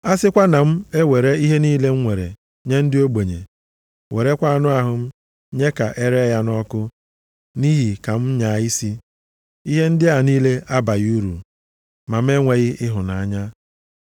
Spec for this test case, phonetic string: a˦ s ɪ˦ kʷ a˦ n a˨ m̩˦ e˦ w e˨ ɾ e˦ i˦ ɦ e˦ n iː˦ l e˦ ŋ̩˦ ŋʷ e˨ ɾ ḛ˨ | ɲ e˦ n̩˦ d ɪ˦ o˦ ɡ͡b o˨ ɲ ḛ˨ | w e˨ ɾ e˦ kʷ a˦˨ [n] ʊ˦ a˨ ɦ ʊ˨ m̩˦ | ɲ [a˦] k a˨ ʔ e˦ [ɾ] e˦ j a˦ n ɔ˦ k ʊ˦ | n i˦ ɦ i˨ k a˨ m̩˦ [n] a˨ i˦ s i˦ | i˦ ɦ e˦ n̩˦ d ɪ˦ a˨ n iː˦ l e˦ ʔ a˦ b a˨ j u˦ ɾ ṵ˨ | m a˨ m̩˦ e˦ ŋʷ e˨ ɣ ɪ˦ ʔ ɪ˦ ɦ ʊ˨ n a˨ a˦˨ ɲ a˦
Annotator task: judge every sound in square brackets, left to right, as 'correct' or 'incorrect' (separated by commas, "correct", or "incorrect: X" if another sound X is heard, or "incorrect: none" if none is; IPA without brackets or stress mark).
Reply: correct, incorrect: e˦, correct, incorrect: ɲ